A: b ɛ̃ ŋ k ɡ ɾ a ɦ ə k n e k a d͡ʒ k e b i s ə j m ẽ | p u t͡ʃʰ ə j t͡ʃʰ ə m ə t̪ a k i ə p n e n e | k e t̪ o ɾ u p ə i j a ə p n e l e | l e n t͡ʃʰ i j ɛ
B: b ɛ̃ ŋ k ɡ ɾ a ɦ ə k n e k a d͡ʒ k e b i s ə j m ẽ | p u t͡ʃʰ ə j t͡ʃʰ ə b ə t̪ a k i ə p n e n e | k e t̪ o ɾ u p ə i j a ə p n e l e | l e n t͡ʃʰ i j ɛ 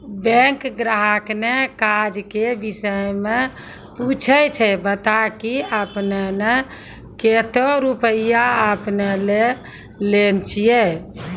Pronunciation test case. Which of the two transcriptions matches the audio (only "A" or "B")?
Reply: B